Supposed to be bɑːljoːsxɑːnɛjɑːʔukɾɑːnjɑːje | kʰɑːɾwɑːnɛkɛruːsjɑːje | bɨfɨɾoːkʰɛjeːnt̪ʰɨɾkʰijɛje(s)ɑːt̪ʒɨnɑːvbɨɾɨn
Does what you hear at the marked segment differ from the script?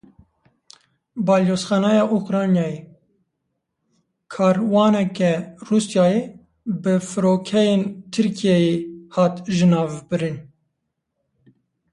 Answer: yes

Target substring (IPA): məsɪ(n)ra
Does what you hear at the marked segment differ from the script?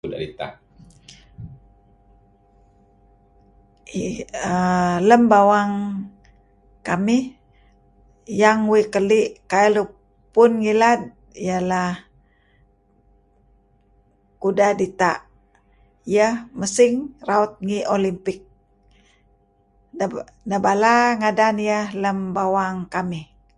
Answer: yes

